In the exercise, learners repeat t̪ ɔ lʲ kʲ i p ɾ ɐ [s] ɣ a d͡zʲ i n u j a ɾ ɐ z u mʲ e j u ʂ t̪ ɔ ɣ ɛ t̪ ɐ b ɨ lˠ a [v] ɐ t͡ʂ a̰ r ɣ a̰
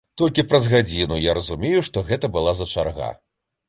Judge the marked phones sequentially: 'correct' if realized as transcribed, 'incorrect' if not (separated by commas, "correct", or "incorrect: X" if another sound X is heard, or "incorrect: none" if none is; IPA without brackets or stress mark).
incorrect: z, incorrect: z